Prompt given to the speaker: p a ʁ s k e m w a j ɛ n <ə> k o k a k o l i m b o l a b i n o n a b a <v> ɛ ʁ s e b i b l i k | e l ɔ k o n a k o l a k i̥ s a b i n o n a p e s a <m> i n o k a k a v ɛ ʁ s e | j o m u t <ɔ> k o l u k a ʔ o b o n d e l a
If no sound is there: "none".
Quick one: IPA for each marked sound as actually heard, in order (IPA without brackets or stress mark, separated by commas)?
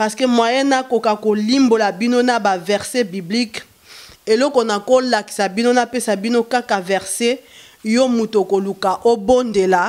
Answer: a, v, b, o